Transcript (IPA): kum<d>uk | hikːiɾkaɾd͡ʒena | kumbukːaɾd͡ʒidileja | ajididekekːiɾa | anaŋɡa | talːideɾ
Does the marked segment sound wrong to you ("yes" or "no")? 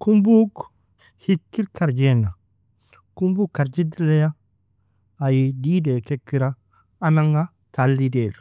yes